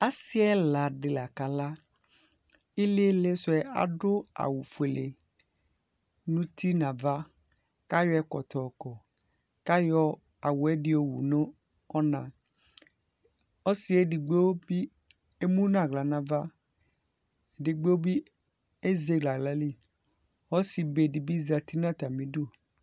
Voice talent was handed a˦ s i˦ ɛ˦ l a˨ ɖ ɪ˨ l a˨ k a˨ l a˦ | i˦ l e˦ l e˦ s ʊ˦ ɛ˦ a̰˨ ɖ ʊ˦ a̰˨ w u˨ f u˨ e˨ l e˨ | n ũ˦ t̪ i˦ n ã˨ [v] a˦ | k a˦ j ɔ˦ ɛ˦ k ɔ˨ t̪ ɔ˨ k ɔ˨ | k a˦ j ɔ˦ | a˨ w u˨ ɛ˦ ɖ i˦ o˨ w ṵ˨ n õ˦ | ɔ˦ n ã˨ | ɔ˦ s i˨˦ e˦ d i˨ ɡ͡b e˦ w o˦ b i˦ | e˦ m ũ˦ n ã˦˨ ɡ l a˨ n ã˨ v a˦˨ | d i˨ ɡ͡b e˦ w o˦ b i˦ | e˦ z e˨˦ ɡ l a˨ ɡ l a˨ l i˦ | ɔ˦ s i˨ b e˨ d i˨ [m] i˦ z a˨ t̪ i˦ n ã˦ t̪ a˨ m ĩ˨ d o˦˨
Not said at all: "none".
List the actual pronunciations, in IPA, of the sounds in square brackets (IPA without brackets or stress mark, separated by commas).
v, b